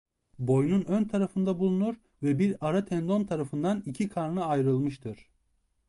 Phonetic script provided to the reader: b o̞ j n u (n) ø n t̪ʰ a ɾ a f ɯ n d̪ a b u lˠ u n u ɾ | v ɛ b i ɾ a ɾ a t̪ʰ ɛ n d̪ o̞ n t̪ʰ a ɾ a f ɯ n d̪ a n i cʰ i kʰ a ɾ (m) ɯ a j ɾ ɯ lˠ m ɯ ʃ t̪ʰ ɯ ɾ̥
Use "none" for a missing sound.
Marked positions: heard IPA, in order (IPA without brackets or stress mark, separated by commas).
n, n